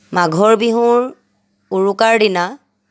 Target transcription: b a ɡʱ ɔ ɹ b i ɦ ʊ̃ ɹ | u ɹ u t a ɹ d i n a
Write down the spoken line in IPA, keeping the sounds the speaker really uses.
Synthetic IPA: m a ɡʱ ɔ ɹ b i ɦ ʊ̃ ɹ | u ɹ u k a ɹ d i n a